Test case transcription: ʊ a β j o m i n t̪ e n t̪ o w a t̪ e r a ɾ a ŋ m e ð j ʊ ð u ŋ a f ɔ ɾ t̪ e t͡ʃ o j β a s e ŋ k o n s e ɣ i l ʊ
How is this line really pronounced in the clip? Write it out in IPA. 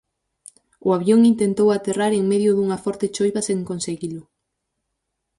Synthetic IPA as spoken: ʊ a β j o ŋ i n t̪ e n t̪ o w a t̪ e r a ɾ e ŋ m e ð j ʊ ð u ŋ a f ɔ ɾ t̪ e t͡ʃ o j β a s e ŋ k o n s e ɣ i l ʊ